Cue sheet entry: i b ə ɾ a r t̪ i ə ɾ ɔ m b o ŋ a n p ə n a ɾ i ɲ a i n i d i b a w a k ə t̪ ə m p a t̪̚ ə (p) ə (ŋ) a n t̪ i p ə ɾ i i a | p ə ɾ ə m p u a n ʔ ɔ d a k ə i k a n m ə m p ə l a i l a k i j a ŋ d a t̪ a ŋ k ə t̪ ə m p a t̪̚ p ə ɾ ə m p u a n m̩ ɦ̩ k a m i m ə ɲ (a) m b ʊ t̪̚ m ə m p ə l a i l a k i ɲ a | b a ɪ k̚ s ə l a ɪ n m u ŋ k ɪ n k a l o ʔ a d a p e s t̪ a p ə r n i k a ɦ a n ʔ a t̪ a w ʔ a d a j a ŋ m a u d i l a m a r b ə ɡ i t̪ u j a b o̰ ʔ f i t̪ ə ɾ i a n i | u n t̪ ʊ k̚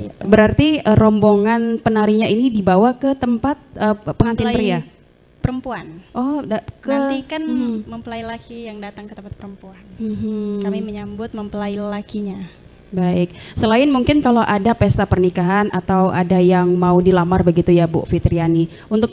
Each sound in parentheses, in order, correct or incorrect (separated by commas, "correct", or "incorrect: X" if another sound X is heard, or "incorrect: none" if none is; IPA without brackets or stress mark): correct, correct, correct